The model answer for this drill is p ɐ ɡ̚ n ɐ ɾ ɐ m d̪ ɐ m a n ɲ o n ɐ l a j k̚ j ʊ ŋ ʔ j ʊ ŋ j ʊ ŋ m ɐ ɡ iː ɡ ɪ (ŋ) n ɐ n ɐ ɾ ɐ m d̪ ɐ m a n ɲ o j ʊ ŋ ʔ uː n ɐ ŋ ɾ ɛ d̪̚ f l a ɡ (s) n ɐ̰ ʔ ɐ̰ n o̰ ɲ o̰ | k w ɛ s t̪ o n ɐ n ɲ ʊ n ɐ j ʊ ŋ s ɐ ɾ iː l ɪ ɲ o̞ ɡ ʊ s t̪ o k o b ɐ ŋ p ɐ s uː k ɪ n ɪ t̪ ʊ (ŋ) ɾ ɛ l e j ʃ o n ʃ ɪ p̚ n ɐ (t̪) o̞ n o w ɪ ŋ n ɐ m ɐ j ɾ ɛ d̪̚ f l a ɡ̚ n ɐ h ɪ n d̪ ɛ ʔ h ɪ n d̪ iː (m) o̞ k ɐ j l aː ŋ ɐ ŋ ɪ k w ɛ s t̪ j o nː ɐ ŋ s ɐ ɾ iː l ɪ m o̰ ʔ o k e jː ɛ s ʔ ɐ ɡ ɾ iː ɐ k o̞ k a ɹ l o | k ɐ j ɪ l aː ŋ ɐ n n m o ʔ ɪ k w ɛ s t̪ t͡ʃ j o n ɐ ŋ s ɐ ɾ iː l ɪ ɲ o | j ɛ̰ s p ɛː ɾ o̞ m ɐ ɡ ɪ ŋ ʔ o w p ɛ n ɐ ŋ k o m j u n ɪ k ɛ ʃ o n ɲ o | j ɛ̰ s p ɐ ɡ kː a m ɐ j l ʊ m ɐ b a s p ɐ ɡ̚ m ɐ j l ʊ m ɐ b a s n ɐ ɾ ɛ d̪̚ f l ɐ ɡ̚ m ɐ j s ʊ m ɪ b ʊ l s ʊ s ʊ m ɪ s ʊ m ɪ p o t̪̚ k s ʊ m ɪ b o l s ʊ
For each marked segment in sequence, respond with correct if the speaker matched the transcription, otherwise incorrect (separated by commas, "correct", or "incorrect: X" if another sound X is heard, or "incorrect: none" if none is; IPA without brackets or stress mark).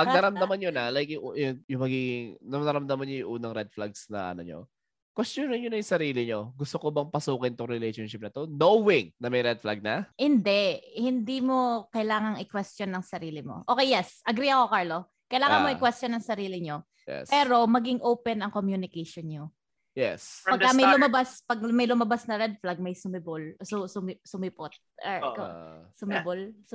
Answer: correct, correct, correct, correct, correct